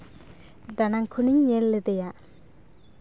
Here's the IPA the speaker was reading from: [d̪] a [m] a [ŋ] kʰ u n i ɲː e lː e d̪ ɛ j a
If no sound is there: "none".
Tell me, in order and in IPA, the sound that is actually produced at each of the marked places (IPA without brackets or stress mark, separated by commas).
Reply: d̪, n, ŋ